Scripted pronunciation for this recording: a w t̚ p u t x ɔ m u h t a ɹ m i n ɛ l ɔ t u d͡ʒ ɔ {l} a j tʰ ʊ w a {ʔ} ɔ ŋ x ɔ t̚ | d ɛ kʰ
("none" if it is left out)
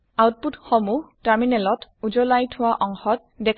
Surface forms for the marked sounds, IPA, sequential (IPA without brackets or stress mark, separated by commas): l, ʔ